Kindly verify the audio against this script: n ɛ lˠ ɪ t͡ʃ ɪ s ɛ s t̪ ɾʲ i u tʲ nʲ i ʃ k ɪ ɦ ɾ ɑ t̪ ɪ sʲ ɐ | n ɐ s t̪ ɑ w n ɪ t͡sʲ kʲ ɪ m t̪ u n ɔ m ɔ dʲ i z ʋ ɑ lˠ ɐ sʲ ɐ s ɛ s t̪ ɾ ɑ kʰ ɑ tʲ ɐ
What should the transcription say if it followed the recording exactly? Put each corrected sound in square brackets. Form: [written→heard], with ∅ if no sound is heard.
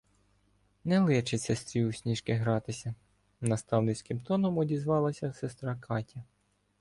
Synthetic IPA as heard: n ɛ lˠ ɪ t͡ʃ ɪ s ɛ s t̪ ɾʲ i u [tʲ→sʲ] nʲ i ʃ k ɪ ɦ ɾ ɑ t̪ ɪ sʲ ɐ | n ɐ s t̪ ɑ w n ɪ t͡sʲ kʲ ɪ m t̪ [u→ɔ] n ɔ m ɔ dʲ i z ʋ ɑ lˠ ɐ sʲ ɐ s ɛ s t̪ ɾ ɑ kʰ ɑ tʲ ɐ